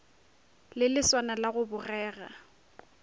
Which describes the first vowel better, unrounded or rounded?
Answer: unrounded